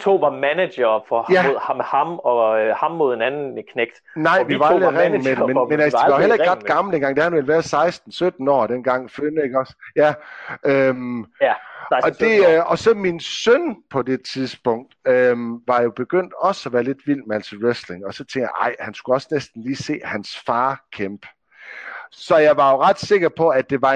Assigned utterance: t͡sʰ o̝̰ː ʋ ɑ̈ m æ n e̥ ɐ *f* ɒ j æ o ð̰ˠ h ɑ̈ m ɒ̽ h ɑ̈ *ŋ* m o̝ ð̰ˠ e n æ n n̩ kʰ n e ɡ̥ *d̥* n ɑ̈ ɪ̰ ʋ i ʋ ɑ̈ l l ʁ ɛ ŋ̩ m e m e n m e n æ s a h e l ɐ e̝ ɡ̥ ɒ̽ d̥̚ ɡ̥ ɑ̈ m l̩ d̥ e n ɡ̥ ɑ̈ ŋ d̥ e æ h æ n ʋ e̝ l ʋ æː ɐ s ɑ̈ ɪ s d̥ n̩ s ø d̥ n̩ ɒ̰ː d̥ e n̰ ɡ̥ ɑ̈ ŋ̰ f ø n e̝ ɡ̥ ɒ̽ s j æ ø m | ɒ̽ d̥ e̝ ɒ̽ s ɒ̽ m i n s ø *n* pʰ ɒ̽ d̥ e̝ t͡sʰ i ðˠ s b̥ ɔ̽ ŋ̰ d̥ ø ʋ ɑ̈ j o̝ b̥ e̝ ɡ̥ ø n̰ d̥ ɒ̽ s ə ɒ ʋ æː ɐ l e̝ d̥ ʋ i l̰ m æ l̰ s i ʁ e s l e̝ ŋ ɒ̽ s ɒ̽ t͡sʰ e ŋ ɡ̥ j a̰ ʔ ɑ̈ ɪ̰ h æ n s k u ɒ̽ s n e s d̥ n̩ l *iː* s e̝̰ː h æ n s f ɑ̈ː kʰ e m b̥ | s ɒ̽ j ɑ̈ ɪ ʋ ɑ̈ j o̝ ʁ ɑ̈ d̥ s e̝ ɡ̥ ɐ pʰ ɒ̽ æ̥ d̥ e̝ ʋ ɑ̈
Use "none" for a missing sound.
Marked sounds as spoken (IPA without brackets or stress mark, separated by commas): f, m, d̥, n, iː